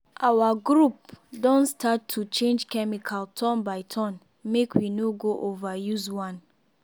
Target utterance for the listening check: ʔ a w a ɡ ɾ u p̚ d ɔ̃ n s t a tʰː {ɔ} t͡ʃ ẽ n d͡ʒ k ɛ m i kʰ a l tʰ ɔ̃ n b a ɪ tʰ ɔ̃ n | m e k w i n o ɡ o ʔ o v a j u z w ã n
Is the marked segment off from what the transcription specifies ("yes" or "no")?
yes